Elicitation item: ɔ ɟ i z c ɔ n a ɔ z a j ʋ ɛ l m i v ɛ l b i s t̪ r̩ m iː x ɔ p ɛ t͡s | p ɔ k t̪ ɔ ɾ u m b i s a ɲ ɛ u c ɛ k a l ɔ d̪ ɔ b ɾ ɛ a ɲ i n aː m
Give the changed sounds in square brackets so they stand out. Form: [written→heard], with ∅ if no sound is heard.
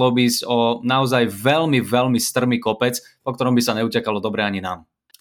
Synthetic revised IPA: ɔ [ɟ→b] i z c ɔ n a ɔ z a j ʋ ɛ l m i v ɛ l [b→m] i s t̪ r̩ m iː [x→k] ɔ p ɛ t͡s | p ɔ k t̪ ɔ ɾ [u→ɔ] m b i s a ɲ ɛ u c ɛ k a l ɔ d̪ ɔ b ɾ ɛ a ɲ i n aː m